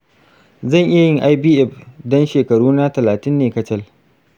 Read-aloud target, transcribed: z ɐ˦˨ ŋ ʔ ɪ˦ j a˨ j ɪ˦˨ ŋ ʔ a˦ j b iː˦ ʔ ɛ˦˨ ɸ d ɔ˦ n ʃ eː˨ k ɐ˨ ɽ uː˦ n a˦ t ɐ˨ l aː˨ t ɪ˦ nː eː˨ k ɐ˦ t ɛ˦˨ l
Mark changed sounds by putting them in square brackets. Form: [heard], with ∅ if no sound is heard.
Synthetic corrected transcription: z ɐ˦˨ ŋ ʔ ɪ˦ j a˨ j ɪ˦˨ ŋ ʔ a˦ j b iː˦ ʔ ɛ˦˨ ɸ d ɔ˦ n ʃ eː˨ k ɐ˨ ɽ uː˦ n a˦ t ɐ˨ l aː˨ t ɪ˦ nː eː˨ k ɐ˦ [t͡ʃ] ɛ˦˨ l